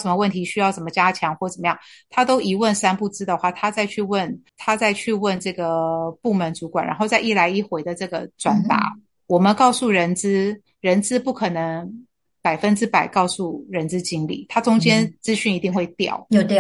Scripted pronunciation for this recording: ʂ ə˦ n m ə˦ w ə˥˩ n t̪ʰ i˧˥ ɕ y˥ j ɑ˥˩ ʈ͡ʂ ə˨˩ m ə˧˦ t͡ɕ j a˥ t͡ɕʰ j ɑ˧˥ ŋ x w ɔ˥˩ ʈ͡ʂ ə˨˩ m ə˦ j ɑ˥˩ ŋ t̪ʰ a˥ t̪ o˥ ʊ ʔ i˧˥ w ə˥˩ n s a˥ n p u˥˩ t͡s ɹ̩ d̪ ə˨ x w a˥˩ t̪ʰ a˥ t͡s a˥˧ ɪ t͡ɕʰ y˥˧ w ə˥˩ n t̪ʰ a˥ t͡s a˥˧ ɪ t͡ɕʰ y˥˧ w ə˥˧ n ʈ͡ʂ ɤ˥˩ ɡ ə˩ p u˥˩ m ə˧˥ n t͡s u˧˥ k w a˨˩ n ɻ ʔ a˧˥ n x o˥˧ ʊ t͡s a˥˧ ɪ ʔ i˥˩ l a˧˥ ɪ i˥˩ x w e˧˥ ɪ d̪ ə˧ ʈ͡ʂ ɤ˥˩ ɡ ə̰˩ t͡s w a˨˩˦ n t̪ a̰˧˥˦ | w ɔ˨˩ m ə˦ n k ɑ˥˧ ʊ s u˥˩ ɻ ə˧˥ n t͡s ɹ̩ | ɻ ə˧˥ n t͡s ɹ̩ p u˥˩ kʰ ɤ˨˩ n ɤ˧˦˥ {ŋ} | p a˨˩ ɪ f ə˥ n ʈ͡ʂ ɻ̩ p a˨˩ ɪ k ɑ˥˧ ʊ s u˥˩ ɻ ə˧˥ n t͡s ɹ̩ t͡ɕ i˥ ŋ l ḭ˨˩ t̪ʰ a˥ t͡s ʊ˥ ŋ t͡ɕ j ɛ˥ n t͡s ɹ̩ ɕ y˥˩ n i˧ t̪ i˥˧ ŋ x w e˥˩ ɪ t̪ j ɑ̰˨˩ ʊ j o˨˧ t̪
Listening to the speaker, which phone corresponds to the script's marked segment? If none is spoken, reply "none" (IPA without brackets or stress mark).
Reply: ŋ